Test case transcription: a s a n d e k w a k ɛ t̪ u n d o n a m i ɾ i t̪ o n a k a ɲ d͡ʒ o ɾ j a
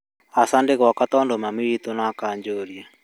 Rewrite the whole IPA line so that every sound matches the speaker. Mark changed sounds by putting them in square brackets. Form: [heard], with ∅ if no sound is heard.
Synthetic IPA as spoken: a s a n d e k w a k [a] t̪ [ɔ] n d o [m] a m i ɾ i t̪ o n a k a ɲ d͡ʒ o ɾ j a